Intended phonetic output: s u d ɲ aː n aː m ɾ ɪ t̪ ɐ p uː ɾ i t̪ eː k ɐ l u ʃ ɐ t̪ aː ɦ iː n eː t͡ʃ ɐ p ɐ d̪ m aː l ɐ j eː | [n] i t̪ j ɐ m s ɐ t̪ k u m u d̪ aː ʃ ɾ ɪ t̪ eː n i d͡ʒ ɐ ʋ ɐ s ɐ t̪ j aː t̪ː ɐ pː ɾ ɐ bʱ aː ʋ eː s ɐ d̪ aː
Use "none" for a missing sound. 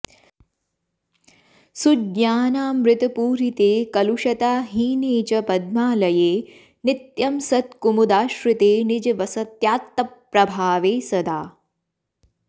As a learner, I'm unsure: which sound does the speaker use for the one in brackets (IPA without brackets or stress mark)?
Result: n